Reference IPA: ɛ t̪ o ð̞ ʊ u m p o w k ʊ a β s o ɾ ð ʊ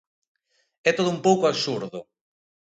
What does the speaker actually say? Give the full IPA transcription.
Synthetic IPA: ɛ t̪ o ð̞ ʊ u m p o w k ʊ a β s u ɾ ð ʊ